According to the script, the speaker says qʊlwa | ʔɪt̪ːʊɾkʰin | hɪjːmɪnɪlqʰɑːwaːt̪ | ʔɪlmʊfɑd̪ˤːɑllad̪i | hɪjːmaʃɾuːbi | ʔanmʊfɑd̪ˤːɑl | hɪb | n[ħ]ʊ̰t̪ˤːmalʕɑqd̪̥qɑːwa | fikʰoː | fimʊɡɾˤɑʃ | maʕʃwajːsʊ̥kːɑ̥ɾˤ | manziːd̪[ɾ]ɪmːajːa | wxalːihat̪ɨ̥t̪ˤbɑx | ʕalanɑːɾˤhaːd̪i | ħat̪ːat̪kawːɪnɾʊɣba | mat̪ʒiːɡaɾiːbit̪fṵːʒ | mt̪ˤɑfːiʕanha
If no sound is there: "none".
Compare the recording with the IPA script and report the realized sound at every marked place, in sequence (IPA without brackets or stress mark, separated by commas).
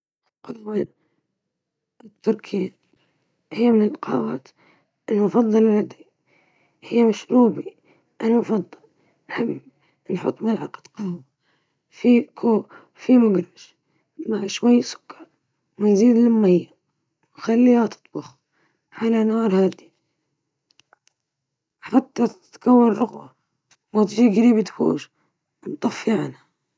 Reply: ħ, l